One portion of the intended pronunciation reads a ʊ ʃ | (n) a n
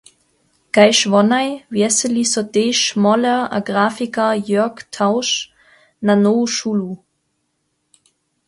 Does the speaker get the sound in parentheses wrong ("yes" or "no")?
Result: no